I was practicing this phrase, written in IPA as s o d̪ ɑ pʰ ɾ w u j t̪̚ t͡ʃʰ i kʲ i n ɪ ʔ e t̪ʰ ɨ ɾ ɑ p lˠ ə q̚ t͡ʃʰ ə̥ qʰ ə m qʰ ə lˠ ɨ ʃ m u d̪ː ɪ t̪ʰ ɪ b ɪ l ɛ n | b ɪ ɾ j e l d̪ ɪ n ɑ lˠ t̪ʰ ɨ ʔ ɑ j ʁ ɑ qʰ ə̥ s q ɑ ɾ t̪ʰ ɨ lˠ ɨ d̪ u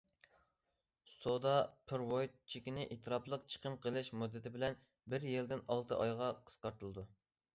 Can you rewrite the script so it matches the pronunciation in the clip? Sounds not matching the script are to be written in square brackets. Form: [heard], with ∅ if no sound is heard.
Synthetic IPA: s o d̪ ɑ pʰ ɾ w [o] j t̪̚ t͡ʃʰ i kʲ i n ɪ ʔ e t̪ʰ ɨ ɾ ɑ p lˠ ə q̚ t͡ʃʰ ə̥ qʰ ə m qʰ ə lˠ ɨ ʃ m u d̪ː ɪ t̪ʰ ɪ b ɪ l ɛ n | b ɪ ɾ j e l d̪ ɪ n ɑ lˠ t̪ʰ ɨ ʔ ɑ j ʁ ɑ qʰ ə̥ s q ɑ ɾ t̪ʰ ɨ lˠ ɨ d̪ u